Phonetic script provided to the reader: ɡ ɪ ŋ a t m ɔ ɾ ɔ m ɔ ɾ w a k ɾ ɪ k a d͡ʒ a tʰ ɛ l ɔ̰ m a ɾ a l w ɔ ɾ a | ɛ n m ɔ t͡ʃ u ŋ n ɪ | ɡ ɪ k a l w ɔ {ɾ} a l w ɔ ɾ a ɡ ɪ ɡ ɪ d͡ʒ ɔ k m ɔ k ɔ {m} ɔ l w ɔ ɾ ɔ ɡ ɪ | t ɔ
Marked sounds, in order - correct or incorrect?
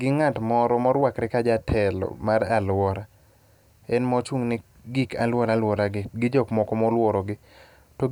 correct, correct

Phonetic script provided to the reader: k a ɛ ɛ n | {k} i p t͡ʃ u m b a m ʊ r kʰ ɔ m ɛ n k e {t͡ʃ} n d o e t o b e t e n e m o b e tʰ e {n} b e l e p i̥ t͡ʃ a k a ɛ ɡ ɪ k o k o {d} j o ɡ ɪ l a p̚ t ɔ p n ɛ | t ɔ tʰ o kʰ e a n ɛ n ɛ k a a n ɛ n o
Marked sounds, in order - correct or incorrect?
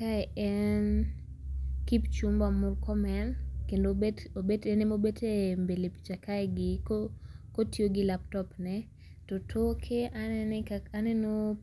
correct, incorrect: none, incorrect: m, incorrect: t

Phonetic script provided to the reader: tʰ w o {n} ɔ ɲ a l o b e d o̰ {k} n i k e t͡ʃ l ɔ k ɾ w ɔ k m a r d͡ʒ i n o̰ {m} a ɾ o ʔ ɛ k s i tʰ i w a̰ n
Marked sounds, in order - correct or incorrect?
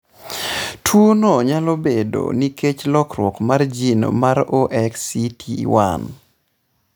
correct, incorrect: none, correct

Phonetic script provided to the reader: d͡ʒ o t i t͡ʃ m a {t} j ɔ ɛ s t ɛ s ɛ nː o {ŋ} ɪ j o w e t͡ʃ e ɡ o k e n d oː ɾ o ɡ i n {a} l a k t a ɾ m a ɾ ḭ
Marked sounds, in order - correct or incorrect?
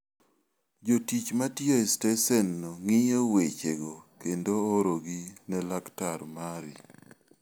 correct, correct, incorrect: ɛ

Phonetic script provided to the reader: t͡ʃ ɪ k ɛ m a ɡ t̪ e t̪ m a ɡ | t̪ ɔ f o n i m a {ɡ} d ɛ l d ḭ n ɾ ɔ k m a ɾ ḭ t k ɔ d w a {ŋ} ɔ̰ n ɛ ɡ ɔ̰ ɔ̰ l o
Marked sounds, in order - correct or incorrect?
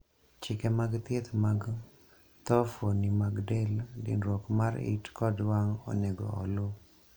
correct, correct

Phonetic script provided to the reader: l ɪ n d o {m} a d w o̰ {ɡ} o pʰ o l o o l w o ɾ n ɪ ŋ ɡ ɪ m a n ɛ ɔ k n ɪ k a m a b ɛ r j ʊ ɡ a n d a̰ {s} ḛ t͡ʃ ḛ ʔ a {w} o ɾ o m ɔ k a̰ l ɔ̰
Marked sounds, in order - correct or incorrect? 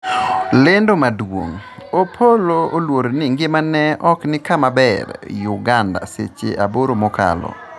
correct, incorrect: ŋ, correct, incorrect: b

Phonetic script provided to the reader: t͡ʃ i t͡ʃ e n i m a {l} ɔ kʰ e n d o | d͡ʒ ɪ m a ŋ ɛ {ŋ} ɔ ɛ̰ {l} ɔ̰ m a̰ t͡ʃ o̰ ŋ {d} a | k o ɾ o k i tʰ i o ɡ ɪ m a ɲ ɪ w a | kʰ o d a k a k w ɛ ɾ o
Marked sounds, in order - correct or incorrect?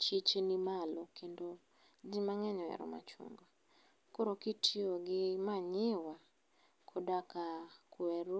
correct, incorrect: ɲ, incorrect: ɾ, incorrect: ɡ

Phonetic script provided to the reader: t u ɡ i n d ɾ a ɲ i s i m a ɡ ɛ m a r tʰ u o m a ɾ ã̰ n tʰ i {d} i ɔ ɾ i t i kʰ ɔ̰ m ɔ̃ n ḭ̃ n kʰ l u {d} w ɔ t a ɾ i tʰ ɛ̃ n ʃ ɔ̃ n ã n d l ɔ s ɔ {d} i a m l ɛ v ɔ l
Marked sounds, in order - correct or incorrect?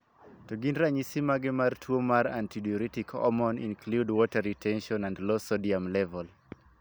correct, correct, correct

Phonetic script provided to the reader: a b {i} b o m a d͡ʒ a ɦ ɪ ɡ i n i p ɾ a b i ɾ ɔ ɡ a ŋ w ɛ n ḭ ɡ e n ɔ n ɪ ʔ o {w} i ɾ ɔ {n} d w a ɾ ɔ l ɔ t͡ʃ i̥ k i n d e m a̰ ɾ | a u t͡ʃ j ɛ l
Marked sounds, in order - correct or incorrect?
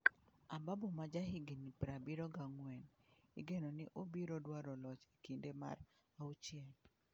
incorrect: a, incorrect: b, incorrect: none

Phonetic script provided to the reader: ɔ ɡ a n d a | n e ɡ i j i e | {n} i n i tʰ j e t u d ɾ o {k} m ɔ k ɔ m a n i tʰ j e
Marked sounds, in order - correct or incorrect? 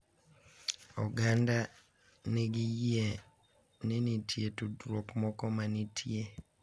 correct, correct

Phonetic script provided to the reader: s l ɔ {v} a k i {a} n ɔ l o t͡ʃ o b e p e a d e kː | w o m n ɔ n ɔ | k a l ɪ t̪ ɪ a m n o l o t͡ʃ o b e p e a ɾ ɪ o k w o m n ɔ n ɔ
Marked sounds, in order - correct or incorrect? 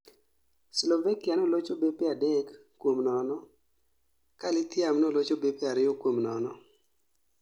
correct, correct

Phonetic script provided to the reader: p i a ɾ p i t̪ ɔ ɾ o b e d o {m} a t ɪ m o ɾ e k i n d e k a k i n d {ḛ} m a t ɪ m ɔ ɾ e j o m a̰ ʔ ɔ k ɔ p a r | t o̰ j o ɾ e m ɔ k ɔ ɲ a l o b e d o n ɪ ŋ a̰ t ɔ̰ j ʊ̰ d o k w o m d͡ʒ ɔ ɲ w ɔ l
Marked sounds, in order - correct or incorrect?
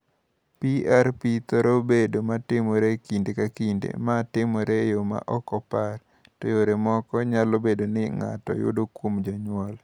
correct, correct

